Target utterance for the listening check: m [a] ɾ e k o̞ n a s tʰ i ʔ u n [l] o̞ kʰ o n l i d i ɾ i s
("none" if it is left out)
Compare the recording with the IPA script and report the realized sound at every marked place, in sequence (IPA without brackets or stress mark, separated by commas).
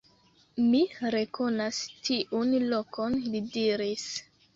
i, l